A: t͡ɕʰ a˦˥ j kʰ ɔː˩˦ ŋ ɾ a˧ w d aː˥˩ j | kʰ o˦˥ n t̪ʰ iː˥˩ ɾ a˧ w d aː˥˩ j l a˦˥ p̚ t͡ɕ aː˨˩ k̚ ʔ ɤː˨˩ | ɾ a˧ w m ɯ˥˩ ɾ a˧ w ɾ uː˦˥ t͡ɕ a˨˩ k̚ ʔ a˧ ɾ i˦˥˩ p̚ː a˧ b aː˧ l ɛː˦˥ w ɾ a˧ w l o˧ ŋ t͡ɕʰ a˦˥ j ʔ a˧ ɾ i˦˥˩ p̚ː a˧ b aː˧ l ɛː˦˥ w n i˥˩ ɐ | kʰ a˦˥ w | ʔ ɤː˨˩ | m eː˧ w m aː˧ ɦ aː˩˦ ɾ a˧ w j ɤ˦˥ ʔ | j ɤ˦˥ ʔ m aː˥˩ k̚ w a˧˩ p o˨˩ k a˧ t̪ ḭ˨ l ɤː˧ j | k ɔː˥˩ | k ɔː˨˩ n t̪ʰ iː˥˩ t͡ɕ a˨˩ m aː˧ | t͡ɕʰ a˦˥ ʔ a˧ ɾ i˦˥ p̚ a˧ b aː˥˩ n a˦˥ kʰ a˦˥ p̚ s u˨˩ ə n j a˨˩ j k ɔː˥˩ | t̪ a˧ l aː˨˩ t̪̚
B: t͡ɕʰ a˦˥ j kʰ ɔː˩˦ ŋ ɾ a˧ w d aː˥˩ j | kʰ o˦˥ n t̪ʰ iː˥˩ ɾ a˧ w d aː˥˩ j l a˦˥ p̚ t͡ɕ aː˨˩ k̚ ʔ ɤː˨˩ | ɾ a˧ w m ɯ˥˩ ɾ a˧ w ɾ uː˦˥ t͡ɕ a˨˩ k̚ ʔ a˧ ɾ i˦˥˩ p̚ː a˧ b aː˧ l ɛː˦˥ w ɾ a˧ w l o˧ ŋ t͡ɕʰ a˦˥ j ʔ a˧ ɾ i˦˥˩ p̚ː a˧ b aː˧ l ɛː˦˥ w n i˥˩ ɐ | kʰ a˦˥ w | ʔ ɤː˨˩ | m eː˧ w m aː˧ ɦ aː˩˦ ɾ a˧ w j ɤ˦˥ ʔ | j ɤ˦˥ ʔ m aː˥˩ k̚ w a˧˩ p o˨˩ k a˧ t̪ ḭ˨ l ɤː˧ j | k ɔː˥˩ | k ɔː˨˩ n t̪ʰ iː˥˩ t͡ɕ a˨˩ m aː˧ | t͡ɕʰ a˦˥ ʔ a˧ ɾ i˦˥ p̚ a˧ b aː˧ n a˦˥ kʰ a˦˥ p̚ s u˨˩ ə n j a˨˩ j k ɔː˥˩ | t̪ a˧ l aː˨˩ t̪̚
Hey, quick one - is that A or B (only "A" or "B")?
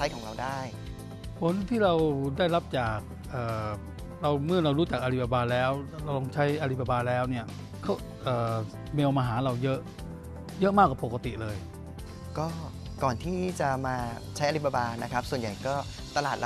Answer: B